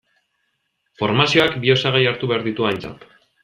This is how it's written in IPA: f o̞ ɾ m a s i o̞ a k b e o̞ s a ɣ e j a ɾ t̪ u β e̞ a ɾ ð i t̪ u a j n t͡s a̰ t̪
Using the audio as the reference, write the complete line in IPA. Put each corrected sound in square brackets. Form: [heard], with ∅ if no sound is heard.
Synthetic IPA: f o̞ ɾ m a s i o̞ a k b [i] o̞ s a ɣ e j a ɾ t̪ u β e̞ a ɾ ð i t̪ u a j n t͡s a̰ t̪